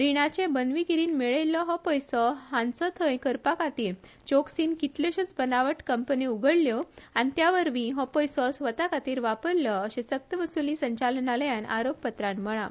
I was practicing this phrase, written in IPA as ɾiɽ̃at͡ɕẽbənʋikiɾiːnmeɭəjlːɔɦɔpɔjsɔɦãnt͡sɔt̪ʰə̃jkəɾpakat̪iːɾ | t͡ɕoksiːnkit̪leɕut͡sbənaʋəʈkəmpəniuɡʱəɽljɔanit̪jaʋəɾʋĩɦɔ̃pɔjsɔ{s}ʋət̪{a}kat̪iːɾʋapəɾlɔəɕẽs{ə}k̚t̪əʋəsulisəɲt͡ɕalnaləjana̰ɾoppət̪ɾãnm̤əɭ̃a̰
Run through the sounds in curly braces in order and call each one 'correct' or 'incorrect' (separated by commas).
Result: correct, correct, correct